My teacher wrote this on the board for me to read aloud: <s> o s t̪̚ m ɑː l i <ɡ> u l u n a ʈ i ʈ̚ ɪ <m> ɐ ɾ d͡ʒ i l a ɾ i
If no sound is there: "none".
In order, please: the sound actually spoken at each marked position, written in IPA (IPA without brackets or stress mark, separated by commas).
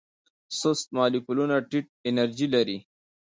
s, k, n